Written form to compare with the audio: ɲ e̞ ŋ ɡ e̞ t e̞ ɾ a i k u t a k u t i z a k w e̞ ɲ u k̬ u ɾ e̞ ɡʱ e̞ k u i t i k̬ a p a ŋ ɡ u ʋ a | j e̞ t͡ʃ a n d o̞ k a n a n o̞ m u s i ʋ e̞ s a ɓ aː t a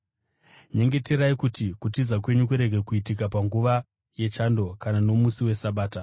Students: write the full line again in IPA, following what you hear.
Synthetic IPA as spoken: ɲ e̞ ŋ ɡ e̞ t e̞ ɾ a i k u t i k u t i z a k w e̞ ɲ u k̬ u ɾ e̞ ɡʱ e̞ k u i t i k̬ a p a ŋ ɡ u ʋ a | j e̞ t͡ʃ a n d o̞ k a n a n o̞ m u s i w e̞ s a ɓ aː t a

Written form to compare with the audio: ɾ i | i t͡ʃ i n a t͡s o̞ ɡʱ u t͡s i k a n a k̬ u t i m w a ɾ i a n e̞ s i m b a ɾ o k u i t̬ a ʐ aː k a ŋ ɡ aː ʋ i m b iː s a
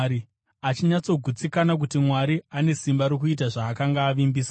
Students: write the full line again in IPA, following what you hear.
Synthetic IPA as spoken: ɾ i | a t͡ʃ i ɲ a t͡s o̞ ɡʱ u t͡s i k a n a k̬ u t i m w a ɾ i a n e̞ s i m b a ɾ o k u i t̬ a ʐ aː k a ŋ ɡ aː ʋ i m b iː s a

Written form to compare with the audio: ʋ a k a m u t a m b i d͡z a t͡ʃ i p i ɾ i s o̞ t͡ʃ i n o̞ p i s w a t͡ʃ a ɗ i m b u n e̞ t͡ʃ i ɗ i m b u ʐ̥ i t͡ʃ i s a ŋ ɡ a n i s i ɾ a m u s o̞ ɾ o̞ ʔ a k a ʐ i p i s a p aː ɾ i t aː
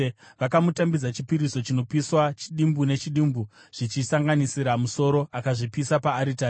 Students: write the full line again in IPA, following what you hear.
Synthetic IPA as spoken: ʋ a k a m u t a m b i d͡z a t͡ʃ i p i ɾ i s o̞ t͡ʃ i n o̞ p i s w a t͡ʃ i ɗ i m b u n e̞ t͡ʃ i ɗ i m b u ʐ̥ i t͡ʃ i s a ŋ ɡ a n i s i ɾ a m u s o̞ ɾ o̞ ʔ a k a ʐ i p i s a p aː ɾ i t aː

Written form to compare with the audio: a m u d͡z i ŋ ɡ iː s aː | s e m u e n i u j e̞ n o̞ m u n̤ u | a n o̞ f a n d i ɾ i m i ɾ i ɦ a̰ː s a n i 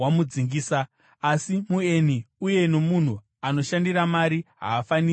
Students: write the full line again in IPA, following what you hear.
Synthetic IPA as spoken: a m u d͡z i ŋ ɡ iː s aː | s i m u e n i u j e̞ n o̞ m u n̤ u | a n o̞ ʃ a n d i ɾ a m a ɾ i ɦ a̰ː f a n i

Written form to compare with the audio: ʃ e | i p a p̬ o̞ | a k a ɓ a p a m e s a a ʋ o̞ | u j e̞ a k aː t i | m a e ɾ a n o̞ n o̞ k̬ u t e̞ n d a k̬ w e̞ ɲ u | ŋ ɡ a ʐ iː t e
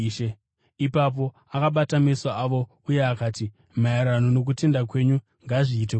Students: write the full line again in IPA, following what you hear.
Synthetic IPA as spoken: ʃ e | i p a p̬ o̞ | a k a ɓ a t a m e s a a ʋ o̞ | u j e̞ a k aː t i | m a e ɾ a n o̞ n o̞ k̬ u t e̞ n d a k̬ w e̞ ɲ u | ŋ ɡ a ʐ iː t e

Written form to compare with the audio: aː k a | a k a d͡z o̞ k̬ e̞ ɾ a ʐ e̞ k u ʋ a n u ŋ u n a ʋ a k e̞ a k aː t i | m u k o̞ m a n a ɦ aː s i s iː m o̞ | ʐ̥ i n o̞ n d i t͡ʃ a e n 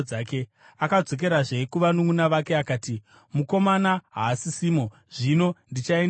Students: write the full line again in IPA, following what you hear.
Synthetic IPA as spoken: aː k e | a k a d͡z o̞ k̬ e̞ ɾ a ʐ e̞ k u ʋ a n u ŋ u n a ʋ a k e̞ a k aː t i | m u k o̞ m a n a ɦ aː s i s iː m o̞ | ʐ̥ i n o̞ n d i t͡ʃ a e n

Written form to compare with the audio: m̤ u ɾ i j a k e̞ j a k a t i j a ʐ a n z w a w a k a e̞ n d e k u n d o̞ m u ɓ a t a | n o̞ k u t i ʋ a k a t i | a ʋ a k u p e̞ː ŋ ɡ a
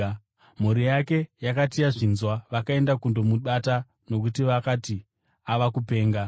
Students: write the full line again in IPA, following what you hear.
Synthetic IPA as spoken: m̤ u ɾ i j a k e̞ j a k a t i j a ʐ i n z w a ʋ a k a e̞ n d a k u n d o̞ m u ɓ a t a | n o̞ k u t i ʋ a k a t i | a ʋ a k u p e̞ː ŋ ɡ a

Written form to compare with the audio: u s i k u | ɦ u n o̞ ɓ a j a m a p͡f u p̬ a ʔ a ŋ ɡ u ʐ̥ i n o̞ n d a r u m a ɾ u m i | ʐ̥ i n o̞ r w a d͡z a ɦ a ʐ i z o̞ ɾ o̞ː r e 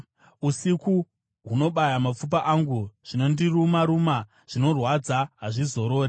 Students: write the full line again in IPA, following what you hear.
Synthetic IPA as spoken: u s i k u | ɦ u n o̞ ɓ a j a m a p͡f u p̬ a ʔ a ŋ ɡ u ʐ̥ i n o̞ n d i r u m a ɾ u m a | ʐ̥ i n o̞ r w a d͡z a ɦ a ʐ i z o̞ ɾ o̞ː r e

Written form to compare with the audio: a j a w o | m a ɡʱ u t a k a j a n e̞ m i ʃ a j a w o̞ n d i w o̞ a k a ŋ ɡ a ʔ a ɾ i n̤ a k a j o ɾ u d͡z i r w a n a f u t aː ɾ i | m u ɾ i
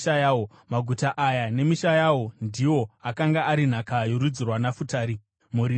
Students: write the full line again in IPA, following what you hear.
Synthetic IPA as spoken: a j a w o | m a ɡʱ u t a ʔ a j a n e̞ m i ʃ a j a w o̞ n d i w o̞ a k a ŋ ɡ a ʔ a ɾ i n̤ a k a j o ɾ u d͡z i r w a n a f u t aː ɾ i | m u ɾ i

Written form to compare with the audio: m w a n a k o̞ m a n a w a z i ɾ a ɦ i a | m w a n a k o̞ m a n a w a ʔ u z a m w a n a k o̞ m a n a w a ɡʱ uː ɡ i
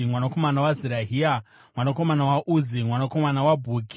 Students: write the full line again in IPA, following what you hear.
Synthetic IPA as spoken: m w a n a k o̞ m a n a w a z i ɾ a ɦ i a | m w a n a k o̞ m a n a w a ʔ u z i m w a n a k o̞ m a n a w a bʱ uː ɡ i

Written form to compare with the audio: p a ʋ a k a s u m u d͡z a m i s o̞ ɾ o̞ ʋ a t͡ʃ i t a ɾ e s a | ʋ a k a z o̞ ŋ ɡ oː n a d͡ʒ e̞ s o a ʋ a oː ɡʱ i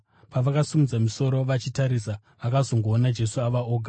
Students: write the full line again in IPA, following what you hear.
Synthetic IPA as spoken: p a ʋ a k a s u m u d͡z a m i s o̞ ɾ o̞ ʋ a t͡ʃ i t a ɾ i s a | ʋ a k a z o̞ ŋ ɡ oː n a d͡ʒ e̞ s u a ʋ a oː ɡʱ a

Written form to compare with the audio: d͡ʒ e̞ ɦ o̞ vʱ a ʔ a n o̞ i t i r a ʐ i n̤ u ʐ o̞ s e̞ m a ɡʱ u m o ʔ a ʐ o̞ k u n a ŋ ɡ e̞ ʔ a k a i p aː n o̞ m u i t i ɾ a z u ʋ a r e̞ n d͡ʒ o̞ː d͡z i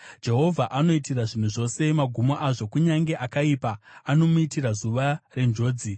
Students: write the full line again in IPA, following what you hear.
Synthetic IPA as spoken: d͡ʒ e̞ ɦ o̞ vʱ a ʔ a n o̞ i t i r a ʐ i n̤ u ʐ o̞ s e̞ m a ɡʱ u m o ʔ a ʐ o̞ k u ɲ a ŋ ɡ e̞ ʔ a k a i p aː n o̞ m u i t i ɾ a z u ʋ a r e̞ n d͡ʒ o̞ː d͡z i

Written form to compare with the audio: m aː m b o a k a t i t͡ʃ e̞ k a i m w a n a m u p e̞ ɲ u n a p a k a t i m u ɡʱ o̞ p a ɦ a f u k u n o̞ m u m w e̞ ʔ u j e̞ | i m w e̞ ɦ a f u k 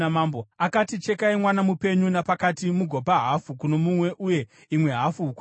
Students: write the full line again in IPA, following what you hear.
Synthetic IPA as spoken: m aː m b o a k a t i t͡ʃ e̞ k a i m w a n a m u p e̞ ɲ u n a p a k a t i m u ɡʱ o̞ p a ɦ a f u k u n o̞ m u m w e̞ ʔ u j e̞ | i m w e̞ ɦ a f u k

